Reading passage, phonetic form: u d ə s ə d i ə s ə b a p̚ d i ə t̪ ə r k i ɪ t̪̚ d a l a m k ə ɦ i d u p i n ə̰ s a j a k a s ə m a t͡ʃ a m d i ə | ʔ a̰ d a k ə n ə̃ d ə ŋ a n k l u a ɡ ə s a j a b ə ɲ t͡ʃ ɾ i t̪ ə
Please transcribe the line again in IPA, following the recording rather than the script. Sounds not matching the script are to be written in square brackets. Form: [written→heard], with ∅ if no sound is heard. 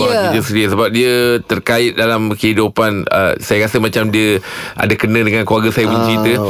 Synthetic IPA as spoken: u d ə s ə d i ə s ə b a p̚ d i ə t̪ ə r k [i→a] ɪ t̪̚ d a l a m k ə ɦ i d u p [i→a] n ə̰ s a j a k a s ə m a t͡ʃ a m d i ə | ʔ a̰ d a k ə n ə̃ d ə ŋ a n k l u a ɡ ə s a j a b ə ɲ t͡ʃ ɾ i t̪ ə